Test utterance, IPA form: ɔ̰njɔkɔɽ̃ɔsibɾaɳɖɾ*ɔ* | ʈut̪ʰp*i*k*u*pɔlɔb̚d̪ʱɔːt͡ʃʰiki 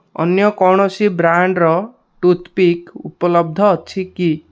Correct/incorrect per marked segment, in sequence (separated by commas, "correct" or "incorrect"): correct, correct, correct